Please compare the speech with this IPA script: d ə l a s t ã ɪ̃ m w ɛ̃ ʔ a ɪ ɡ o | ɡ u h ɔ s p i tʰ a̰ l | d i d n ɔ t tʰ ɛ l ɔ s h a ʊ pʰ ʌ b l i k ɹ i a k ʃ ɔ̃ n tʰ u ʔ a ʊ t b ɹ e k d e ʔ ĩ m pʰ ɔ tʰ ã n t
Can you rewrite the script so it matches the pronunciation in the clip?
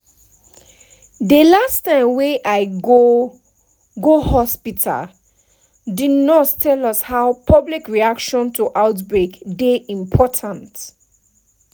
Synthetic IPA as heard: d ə l a s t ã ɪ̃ m w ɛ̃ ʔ a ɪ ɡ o | ɡ o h ɔ s p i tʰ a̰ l | d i d n ɔ t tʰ ɛ l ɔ s h a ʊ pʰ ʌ b l i k ɹ i a k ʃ ɔ̃ n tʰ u ʔ a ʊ t b ɹ e k d e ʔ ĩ m pʰ ɔ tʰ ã n t